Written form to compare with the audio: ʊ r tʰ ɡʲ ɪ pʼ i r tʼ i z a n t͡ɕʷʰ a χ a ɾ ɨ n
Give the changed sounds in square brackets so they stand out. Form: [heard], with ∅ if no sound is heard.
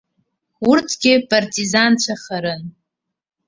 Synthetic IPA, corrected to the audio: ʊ r tʰ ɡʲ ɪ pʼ [a] r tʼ i z a n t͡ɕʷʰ a χ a ɾ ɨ n